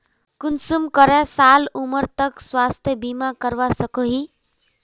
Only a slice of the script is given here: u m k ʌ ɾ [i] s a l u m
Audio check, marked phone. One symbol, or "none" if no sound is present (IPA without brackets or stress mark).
a